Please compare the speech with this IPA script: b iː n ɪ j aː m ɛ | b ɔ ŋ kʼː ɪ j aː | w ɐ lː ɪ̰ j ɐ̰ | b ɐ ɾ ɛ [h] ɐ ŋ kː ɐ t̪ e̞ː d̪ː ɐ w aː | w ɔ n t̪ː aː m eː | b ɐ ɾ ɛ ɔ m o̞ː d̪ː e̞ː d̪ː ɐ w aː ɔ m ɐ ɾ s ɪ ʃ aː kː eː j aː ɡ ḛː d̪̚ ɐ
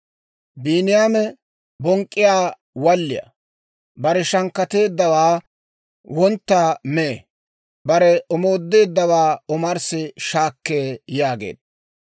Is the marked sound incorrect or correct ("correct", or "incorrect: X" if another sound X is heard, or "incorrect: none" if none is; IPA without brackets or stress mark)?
incorrect: ʃ